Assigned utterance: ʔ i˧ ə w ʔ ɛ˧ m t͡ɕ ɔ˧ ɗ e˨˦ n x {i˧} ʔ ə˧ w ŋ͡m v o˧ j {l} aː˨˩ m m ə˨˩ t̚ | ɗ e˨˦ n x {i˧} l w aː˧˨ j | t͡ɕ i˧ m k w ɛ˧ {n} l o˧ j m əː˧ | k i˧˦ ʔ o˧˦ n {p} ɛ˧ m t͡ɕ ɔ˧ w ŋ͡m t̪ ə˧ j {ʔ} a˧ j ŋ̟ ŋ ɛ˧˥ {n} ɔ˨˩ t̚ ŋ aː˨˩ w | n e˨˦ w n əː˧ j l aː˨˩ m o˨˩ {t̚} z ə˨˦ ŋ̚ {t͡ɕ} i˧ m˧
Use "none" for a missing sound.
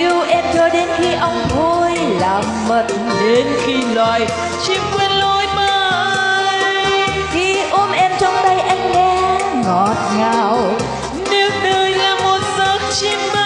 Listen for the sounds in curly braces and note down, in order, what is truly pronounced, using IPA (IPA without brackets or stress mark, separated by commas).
i˧, l, i˧, n, ʔ, ʔ, ŋ, t̚, t͡ɕ